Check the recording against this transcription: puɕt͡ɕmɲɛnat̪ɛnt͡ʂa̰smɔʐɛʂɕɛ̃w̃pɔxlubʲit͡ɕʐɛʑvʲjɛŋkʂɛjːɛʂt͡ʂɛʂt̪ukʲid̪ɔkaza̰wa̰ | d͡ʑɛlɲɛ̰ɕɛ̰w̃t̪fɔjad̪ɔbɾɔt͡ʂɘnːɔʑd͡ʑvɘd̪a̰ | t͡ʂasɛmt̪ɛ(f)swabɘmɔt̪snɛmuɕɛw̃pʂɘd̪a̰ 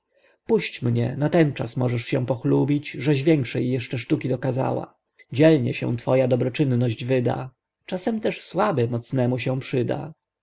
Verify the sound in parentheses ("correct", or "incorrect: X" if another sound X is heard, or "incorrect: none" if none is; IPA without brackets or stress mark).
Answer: incorrect: ʂ